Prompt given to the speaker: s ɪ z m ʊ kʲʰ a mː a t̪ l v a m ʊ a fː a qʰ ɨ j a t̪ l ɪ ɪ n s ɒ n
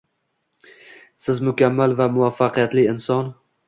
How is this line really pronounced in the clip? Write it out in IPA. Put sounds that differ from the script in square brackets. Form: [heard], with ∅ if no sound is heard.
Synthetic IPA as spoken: s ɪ z m ʊ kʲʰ a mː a [∅] l v a m ʊ a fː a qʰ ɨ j a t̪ l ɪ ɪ n s ɒ n